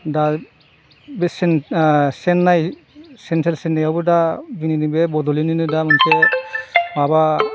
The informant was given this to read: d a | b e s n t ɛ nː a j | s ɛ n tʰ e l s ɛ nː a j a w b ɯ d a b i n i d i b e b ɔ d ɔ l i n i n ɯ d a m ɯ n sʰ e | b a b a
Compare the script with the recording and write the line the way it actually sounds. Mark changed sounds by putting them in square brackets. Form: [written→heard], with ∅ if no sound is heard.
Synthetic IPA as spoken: d a | b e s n [t→s] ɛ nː a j | s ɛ n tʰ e l s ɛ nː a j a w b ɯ d a b i n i [d→n] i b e b ɔ d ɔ l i n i n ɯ d a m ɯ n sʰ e | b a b a